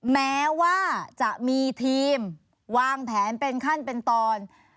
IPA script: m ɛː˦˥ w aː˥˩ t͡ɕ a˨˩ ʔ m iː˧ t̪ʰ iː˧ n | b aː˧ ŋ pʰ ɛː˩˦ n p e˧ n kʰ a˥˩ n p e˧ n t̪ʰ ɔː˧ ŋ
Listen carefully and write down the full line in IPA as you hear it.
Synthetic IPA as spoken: m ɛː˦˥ w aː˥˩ t͡ɕ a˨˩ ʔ m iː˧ t̪ʰ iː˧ m | w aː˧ ŋ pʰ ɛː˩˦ n p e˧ n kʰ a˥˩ n p e˧ n t̪ ɔː˧ n